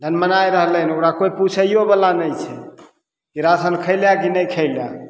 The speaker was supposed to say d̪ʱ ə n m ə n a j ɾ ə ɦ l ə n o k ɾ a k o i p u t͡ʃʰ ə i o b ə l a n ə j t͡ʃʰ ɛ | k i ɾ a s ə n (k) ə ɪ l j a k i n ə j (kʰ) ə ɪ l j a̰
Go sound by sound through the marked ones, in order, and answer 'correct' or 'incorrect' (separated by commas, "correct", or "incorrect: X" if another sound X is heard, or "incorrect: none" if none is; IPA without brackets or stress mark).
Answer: incorrect: kʰ, correct